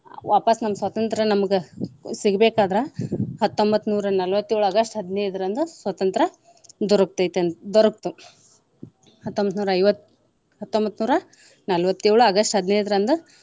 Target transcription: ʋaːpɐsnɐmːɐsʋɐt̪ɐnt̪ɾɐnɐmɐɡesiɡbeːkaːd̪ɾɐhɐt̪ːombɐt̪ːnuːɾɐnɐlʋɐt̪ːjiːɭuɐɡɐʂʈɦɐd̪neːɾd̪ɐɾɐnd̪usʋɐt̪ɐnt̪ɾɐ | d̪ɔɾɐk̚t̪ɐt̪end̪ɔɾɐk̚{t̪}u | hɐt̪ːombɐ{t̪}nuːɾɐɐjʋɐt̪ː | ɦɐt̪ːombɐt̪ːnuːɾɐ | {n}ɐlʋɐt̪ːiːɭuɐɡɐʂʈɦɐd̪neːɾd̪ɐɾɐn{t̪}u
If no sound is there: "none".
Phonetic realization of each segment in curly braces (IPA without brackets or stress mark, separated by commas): t̪, t̪, n, d̪